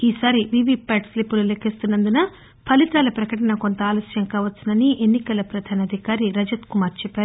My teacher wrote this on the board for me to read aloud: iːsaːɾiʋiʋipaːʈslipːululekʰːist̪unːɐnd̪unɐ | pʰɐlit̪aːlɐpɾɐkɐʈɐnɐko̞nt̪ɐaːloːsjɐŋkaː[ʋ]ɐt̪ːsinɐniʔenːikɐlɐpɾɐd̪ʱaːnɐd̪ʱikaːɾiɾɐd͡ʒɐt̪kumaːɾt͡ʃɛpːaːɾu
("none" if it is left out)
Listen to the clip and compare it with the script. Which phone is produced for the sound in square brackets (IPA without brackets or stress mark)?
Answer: ʋ